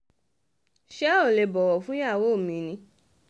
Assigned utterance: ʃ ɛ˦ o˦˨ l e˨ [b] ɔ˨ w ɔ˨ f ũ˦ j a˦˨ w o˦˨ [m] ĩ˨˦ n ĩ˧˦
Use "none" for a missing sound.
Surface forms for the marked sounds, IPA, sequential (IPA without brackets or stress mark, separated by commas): b, m